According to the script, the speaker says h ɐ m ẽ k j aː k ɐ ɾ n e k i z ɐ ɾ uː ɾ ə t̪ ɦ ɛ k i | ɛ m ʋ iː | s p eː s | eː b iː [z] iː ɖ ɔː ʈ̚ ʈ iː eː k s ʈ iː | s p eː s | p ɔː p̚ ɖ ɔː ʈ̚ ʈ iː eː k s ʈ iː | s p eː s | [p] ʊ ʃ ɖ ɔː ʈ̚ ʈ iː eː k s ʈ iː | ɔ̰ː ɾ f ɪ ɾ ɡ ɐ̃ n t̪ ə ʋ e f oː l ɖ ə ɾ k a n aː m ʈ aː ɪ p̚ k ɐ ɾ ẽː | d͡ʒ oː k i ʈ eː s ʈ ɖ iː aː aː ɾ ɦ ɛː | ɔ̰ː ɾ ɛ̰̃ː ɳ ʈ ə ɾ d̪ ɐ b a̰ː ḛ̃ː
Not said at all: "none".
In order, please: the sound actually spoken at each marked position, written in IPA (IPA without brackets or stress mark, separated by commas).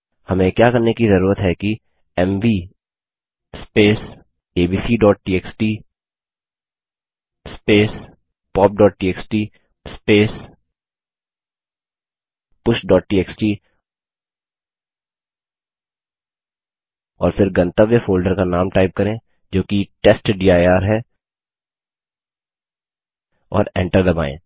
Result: s, p